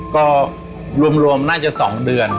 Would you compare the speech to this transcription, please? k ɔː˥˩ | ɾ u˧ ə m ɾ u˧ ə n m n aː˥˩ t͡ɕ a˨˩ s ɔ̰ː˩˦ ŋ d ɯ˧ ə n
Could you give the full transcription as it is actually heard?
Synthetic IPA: k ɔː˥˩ | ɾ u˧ ə m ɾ u˧ ə m n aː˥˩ t͡ɕ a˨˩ s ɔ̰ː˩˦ ŋ d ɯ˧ ə n

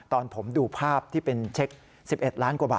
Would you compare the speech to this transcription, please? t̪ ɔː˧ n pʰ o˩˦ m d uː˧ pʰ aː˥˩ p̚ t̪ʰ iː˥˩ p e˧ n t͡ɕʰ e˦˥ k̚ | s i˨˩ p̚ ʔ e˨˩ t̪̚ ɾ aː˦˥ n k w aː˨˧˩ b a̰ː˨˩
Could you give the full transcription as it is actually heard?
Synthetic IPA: t̪ ɔː˧ n pʰ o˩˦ m d uː˧ pʰ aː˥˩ p̚ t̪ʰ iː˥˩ p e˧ n t͡ɕʰ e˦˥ k̚ | s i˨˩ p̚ ʔ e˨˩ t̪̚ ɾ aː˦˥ n k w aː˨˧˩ b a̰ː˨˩

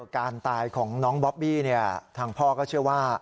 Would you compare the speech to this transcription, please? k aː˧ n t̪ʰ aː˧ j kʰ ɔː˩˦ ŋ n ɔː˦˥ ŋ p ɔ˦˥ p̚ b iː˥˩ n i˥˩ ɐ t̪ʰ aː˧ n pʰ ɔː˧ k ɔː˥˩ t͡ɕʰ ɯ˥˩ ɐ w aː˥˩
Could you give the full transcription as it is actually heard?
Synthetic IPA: k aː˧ n t̪ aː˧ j kʰ ɔː˩˦ ŋ n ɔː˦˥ ŋ b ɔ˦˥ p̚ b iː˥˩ n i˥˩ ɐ t̪ʰ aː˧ ŋ pʰ ɔː˥˩ k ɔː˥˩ t͡ɕʰ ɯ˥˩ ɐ w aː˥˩

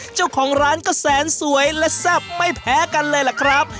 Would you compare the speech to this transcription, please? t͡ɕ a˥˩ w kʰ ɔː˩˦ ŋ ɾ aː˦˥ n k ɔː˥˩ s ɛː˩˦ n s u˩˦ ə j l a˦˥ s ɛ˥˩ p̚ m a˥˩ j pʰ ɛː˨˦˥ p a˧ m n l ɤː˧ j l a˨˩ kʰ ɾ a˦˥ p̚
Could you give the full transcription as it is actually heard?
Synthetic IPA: t͡ɕ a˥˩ w kʰ ɔː˩˦ ŋ ɾ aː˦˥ n k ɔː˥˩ s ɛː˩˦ n s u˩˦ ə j l ɛ˦˥ s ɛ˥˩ p̚ m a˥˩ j pʰ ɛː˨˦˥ k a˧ n l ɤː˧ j l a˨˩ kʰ ɾ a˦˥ p̚

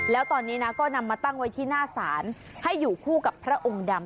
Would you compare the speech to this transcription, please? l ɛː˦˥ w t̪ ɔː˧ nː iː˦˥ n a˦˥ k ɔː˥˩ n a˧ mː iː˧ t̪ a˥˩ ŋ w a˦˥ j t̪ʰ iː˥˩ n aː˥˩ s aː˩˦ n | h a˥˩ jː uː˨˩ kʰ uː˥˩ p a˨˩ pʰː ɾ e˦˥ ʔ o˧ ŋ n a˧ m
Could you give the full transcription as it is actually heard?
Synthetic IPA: l ɛː˦˥ w t̪ ɔː˧ nː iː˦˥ n a˦˥ k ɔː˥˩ n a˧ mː aː˧ t̪ a˥˩ ŋ w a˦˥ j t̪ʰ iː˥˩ n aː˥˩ s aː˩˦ n | h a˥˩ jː uː˨˩ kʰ uː˥˩ k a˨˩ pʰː ɾ a˦˥ ʔ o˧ ŋ d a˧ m

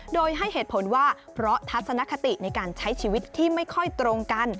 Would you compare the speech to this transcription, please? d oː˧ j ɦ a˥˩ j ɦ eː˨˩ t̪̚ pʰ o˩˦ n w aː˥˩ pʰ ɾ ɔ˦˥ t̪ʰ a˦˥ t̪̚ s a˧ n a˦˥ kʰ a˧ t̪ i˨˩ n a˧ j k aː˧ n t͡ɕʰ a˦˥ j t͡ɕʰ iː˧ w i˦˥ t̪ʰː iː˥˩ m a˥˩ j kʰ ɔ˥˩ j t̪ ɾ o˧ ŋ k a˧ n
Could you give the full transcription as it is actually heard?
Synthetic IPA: d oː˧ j ɦ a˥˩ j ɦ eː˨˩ t̪̚ pʰ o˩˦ n w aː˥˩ pʰ ɾ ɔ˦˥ t̪ʰ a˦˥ t̪̚ s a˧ n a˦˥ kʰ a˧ t̪ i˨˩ n a˧ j k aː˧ n t͡ɕʰ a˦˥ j t͡ɕʰ iː˧ w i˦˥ t̪ʰː iː˥˩ m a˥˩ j kʰ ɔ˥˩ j t̪ ɾ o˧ ŋ k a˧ n

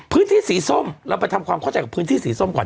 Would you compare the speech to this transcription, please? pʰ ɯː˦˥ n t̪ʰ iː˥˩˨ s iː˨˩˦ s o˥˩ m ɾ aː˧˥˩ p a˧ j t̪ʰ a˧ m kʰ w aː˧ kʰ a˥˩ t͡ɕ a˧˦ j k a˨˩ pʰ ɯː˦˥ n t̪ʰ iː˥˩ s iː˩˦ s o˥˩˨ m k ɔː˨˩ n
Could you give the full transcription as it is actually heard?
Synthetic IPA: pʰ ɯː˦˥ n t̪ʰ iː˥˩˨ s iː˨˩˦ s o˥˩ m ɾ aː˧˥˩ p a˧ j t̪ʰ a˧ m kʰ w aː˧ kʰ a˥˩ t͡ɕ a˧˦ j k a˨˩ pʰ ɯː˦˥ n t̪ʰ iː˥˩ s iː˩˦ s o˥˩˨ m k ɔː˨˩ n

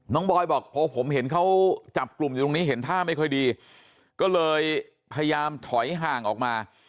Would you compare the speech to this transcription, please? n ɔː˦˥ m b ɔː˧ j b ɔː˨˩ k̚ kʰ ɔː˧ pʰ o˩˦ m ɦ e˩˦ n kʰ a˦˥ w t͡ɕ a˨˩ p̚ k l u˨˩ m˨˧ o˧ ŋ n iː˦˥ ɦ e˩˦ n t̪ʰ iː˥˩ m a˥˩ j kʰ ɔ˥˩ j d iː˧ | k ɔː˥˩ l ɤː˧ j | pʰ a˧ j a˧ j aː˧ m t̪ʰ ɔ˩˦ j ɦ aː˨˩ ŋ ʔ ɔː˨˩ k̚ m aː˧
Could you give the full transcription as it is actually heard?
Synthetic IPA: n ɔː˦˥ ŋ b ɔː˧ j b ɔː˨˩ k̚ pʰ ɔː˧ pʰ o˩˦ m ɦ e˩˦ n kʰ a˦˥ w t͡ɕ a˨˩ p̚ k l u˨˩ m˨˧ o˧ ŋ n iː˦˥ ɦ e˩˦ n t̪ʰ aː˥˩ m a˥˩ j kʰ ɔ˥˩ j d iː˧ | k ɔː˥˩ l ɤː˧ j | pʰ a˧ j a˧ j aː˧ m t̪ʰ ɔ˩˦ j ɦ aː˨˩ ŋ ʔ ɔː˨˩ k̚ m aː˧

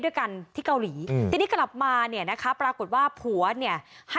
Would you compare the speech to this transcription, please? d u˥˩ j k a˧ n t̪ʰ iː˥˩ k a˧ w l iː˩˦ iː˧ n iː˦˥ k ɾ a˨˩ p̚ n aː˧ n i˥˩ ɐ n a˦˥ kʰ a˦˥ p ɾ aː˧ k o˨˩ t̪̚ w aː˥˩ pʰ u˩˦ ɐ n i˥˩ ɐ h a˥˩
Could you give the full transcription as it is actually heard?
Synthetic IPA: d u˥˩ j k a˧ n t̪ʰ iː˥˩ k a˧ w l iː˩˦ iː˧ n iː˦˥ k l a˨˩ p̚ m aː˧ n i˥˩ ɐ n a˦˥ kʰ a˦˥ p ɾ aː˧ k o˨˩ t̪̚ w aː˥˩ pʰ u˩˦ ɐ n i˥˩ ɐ h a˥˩

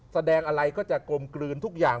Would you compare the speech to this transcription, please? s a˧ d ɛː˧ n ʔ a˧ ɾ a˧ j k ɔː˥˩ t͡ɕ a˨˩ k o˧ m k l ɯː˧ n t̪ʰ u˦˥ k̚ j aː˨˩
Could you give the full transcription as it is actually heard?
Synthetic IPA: s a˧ d ɛː˧ ŋ ʔ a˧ ɾ a˧ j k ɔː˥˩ t͡ɕ a˨˩ k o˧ m k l ɯː˧ n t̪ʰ u˦˥ k̚ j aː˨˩

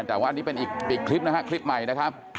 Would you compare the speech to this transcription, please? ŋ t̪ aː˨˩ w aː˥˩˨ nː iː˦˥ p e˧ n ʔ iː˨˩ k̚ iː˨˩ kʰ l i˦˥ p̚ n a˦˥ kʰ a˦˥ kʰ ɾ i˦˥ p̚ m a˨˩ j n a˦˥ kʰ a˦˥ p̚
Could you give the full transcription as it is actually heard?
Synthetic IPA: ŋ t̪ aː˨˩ w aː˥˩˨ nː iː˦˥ p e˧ n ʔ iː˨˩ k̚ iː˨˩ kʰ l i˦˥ p̚ n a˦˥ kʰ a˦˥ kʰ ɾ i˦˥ p̚ m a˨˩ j n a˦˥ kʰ a˦˥ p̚

